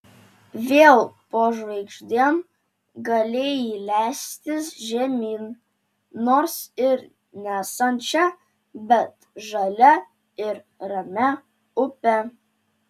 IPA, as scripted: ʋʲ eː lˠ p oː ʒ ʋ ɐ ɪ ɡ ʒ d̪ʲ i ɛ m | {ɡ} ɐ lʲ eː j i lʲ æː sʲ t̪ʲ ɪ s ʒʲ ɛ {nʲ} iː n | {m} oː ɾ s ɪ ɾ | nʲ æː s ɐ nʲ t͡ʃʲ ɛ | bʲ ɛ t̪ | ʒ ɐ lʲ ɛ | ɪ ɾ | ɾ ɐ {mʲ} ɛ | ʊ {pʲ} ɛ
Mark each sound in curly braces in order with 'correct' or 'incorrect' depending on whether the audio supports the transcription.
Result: correct, incorrect, incorrect, correct, correct

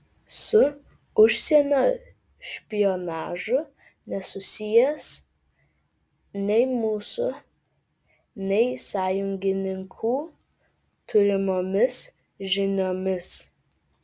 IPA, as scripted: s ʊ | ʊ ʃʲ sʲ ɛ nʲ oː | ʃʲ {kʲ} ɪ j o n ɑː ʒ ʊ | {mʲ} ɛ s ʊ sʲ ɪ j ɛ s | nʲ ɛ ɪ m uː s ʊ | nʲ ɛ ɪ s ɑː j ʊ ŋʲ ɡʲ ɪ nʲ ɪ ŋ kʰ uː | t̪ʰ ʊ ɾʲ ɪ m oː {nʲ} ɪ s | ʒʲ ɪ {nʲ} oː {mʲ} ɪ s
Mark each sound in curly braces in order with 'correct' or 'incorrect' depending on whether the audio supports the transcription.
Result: incorrect, incorrect, incorrect, correct, correct

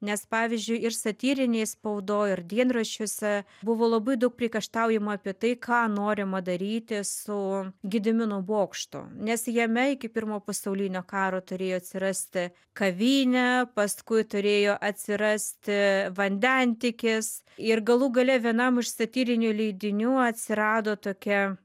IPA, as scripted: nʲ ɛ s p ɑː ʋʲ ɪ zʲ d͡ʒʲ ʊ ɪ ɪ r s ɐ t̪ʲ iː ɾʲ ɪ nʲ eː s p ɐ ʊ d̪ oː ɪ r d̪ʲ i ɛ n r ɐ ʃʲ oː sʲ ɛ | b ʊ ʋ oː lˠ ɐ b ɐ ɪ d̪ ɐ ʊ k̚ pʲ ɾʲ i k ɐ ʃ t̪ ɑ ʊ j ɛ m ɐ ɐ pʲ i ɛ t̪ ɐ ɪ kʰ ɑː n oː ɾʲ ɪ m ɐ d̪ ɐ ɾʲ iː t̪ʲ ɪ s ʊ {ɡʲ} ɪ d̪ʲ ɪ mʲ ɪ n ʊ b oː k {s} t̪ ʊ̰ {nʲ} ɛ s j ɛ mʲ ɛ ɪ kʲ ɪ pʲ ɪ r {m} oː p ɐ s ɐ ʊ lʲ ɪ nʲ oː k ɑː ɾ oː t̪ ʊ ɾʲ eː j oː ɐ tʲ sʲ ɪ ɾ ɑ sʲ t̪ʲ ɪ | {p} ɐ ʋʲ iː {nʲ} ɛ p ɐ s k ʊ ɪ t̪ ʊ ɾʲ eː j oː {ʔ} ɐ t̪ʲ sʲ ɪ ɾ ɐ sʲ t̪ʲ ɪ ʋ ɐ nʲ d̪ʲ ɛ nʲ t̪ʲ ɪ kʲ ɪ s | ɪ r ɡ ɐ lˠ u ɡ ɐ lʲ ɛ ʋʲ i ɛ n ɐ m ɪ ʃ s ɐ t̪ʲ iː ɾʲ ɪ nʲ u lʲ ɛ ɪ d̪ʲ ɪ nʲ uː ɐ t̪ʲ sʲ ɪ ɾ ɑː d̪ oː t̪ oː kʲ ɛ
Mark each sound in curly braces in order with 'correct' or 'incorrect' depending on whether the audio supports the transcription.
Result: correct, incorrect, correct, correct, incorrect, correct, correct

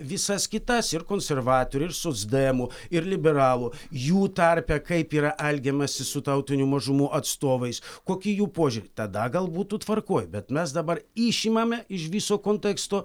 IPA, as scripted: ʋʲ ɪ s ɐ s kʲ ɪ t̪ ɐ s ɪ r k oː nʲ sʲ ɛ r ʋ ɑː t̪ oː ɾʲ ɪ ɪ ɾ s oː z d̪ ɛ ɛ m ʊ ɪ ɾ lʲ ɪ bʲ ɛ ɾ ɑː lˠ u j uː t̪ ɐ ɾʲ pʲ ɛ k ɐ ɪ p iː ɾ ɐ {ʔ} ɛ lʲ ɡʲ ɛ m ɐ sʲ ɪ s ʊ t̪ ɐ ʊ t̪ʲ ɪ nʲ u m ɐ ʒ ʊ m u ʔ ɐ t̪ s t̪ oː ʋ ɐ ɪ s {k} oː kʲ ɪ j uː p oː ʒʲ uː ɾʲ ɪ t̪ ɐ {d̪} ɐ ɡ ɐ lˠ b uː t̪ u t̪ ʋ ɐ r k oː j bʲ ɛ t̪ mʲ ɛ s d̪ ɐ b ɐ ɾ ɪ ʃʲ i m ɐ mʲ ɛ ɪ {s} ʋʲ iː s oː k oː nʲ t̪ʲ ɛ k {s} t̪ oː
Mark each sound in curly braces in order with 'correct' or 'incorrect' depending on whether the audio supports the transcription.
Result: correct, correct, correct, incorrect, correct

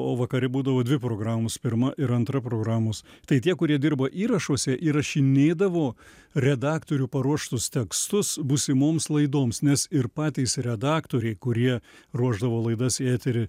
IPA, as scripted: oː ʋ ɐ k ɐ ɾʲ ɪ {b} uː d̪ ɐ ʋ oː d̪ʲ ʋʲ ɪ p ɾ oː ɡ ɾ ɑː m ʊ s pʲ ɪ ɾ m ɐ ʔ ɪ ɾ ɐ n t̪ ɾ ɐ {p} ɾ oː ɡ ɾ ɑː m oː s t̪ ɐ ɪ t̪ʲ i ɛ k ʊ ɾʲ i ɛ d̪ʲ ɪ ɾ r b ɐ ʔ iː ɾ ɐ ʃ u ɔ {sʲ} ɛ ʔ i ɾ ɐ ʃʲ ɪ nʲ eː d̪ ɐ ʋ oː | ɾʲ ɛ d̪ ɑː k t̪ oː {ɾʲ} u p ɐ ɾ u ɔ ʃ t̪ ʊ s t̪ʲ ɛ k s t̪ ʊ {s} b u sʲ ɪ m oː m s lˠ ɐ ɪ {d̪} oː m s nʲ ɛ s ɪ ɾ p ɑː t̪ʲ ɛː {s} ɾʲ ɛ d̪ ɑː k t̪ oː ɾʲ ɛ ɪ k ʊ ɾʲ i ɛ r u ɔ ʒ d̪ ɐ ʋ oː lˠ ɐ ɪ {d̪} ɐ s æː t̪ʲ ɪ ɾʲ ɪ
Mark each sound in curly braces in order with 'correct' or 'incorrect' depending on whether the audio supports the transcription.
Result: correct, correct, correct, correct, correct, correct, correct, correct

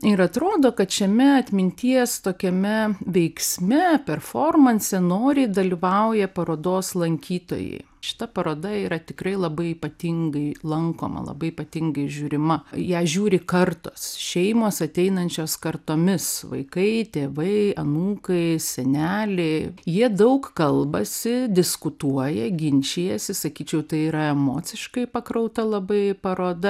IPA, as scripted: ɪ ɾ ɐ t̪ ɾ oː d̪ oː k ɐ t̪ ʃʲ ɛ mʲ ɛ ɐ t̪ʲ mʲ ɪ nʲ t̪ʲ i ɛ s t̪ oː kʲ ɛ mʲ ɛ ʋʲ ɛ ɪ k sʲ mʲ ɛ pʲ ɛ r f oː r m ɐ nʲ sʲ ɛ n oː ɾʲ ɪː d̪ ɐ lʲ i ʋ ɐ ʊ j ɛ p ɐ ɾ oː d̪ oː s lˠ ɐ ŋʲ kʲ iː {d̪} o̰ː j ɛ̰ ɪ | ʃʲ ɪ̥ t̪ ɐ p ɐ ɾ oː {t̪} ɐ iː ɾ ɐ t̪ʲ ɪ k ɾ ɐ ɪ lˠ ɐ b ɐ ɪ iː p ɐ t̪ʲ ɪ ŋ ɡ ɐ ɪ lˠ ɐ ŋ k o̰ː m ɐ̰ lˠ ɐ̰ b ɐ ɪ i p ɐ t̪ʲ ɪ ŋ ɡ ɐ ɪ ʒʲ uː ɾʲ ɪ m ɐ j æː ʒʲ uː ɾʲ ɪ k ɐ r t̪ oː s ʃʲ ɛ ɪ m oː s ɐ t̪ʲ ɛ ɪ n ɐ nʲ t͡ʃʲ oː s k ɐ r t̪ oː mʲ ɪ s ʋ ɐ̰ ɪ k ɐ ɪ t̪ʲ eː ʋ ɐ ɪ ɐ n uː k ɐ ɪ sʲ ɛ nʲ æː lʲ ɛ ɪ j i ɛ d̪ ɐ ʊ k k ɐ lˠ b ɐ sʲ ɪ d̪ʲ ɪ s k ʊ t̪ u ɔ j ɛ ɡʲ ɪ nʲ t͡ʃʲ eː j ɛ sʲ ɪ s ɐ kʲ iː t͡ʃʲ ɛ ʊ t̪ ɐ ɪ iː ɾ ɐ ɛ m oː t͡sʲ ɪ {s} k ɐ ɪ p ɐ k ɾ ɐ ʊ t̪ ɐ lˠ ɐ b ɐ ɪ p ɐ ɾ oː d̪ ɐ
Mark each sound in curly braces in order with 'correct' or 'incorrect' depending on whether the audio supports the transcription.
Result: incorrect, incorrect, incorrect

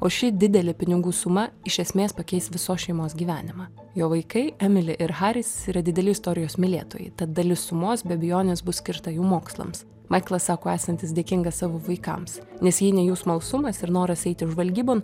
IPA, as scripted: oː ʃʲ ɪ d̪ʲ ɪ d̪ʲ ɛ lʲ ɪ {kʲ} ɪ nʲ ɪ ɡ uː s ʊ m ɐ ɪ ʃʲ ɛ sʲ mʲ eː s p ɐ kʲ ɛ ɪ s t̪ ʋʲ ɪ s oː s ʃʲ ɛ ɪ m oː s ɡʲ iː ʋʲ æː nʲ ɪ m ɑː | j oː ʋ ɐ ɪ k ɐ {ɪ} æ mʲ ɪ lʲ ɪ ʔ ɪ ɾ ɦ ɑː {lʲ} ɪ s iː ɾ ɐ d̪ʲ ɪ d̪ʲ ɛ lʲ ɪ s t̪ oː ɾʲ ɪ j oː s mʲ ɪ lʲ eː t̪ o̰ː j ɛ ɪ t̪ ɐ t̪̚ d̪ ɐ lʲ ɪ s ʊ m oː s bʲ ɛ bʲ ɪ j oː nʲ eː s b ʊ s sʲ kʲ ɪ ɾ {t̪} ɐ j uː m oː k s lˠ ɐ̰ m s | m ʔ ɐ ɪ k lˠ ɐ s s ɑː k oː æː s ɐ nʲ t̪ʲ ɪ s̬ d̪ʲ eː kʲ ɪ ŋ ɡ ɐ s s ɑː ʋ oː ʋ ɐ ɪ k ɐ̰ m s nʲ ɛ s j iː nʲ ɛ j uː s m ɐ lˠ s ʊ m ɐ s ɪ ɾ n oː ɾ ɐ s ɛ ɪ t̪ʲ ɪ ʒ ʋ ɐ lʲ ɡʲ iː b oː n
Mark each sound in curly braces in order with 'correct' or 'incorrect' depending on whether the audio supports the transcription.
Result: incorrect, correct, incorrect, correct

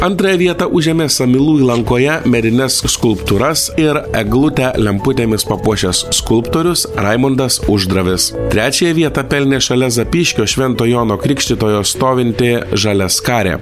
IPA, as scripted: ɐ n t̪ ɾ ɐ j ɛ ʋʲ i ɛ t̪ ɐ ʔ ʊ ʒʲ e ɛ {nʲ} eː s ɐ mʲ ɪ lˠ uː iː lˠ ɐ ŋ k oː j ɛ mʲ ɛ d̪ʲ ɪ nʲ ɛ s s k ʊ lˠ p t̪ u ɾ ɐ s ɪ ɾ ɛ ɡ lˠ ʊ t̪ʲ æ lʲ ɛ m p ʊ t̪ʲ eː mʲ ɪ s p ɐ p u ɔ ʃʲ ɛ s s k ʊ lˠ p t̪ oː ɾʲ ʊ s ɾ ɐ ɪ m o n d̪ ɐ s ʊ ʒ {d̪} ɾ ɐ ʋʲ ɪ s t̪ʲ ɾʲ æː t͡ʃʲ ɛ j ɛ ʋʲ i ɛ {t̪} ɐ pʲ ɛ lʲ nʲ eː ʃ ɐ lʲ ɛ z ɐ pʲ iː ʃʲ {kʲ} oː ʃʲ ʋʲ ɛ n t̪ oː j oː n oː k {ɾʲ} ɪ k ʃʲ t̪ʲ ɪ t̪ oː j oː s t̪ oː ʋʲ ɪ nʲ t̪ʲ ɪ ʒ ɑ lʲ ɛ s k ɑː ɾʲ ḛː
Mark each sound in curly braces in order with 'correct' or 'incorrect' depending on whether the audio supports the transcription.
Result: incorrect, correct, correct, correct, correct

